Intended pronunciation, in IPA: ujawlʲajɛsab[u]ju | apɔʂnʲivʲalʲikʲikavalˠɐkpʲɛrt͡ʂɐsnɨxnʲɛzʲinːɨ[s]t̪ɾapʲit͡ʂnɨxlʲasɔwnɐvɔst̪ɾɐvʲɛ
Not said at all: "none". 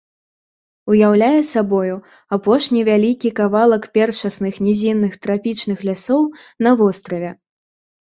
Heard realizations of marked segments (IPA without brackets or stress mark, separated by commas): ɔ, x